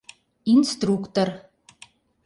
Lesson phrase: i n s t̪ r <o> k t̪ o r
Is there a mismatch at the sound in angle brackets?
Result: yes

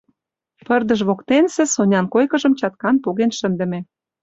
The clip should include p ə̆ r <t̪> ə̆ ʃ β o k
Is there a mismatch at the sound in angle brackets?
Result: yes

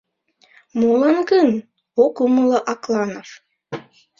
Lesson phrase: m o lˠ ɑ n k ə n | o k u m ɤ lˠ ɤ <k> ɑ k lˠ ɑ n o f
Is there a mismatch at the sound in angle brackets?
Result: yes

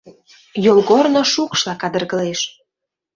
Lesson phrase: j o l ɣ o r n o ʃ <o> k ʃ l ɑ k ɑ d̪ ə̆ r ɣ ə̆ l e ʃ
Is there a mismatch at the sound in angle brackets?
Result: yes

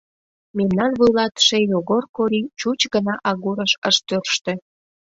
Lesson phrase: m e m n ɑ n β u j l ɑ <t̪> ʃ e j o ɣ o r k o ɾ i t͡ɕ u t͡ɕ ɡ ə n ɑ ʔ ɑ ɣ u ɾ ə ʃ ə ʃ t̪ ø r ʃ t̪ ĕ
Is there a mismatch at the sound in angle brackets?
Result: no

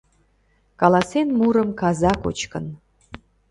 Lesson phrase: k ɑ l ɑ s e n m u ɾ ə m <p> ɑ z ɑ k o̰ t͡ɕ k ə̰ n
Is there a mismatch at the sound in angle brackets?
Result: yes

